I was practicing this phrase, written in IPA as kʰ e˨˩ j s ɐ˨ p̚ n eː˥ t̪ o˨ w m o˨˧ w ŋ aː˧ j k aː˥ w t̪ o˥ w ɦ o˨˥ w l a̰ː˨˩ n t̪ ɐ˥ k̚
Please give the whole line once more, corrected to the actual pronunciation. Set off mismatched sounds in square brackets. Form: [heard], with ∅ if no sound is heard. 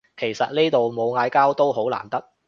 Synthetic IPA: kʰ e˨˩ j s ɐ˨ [t̚] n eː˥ t̪ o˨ w m o˨˧ w ŋ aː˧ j k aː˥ w t̪ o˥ w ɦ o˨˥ w l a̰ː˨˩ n t̪ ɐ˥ k̚